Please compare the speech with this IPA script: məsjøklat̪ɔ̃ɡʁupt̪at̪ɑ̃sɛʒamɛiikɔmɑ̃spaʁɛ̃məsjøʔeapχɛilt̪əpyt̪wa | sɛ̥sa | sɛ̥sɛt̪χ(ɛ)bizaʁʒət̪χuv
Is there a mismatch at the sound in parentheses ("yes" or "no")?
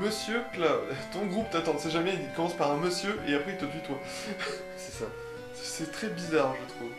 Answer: no